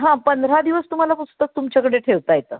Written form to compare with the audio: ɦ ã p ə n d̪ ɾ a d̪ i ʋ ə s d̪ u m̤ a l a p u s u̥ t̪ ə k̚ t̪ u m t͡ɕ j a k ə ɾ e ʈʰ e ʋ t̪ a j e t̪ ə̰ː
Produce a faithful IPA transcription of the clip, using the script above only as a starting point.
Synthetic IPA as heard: ɦ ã p ə n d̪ ɾ a d̪ i ʋ ə s t̪ u m̤ a l a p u s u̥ t̪ ə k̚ t̪ u m t͡ɕ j a k ə ɽ e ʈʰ e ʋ t̪ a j e t̪ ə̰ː